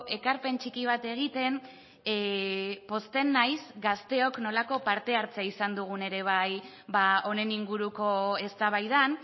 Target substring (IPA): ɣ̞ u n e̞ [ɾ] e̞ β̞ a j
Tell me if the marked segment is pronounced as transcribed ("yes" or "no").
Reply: yes